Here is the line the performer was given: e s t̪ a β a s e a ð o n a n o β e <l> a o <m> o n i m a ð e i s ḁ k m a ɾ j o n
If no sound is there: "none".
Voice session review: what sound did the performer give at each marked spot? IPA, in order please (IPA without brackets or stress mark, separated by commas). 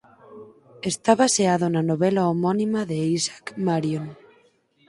l, m